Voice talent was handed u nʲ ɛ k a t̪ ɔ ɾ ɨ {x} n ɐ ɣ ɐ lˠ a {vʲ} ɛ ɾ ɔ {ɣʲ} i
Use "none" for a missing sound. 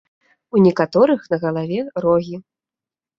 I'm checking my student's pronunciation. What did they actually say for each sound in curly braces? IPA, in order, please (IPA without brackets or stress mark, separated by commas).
x, vʲ, ɣʲ